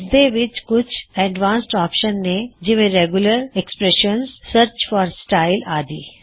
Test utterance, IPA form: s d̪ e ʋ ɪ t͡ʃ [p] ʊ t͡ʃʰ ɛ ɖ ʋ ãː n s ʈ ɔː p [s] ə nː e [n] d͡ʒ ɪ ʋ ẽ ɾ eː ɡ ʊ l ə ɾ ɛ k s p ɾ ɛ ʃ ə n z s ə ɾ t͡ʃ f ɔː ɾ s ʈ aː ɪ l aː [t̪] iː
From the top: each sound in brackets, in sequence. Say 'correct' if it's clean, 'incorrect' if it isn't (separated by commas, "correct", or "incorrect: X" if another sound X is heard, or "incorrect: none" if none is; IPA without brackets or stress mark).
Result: incorrect: k, incorrect: ʃ, incorrect: none, incorrect: d̪